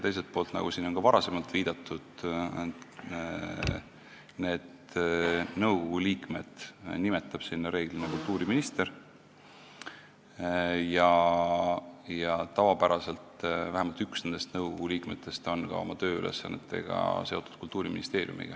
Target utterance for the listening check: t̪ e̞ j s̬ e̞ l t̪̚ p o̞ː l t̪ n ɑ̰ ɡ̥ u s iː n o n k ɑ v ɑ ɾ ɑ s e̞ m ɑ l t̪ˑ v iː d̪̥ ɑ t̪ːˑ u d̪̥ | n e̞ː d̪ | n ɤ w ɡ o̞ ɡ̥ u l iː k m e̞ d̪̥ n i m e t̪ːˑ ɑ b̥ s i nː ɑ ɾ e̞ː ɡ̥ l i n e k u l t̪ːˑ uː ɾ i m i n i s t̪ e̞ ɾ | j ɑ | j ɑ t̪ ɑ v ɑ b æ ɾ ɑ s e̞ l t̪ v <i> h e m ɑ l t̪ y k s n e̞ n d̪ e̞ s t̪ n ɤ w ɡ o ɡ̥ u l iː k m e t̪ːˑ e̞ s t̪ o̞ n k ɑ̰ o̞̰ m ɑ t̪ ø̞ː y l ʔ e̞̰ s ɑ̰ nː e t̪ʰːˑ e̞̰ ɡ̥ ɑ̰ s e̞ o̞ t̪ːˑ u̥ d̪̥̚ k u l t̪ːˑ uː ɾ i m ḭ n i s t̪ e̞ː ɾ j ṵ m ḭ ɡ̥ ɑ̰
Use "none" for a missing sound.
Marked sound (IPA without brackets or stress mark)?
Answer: æ